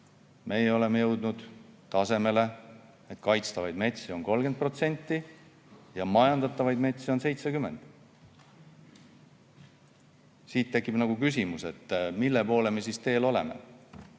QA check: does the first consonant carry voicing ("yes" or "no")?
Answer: yes